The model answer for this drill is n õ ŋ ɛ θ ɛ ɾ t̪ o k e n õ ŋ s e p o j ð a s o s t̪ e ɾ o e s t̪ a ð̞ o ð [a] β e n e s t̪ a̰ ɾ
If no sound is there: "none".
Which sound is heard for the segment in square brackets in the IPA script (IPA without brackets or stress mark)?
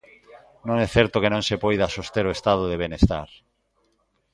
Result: e